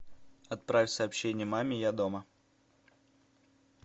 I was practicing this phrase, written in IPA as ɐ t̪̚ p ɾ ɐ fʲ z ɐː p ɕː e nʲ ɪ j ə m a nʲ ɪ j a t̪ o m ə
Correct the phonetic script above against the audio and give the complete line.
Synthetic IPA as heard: ɐ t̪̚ p ɾ a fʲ s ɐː p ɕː e nʲ ɪ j ə m a mʲ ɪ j a d̪ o m ə